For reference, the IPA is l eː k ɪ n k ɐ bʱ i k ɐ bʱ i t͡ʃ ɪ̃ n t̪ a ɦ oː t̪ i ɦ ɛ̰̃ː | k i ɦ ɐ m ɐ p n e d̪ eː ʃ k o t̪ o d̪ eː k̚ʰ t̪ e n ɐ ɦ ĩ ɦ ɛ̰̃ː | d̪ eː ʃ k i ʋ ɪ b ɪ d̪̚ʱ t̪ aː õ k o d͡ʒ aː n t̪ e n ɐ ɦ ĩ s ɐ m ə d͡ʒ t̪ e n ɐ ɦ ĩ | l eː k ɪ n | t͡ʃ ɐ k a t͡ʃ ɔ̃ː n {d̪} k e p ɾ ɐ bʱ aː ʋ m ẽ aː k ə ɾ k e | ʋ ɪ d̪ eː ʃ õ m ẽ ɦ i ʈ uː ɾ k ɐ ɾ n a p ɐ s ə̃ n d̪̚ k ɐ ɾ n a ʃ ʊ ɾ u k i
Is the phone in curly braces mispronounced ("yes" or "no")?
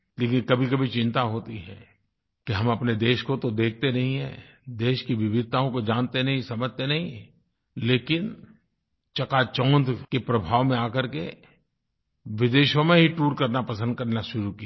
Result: no